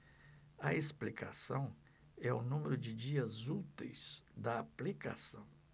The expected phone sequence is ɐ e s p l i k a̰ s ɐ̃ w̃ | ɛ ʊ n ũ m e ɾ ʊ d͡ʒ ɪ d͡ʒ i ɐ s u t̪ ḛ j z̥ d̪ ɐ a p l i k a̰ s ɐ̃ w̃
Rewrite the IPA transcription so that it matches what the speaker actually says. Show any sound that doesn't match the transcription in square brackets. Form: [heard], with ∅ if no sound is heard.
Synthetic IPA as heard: ɐ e s p l i k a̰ s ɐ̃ w̃ | ɛ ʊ n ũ m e ɾ ʊ d͡ʒ ɪ d͡ʒ i ɐ [z] u t̪ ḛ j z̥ d̪ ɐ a p l i k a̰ s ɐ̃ w̃